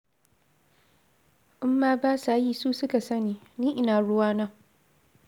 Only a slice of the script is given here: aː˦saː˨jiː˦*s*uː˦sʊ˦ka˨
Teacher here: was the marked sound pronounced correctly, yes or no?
yes